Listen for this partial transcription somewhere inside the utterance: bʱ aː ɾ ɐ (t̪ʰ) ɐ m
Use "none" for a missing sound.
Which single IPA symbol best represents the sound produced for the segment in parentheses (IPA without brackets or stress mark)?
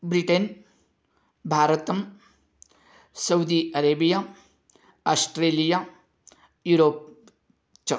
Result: t̪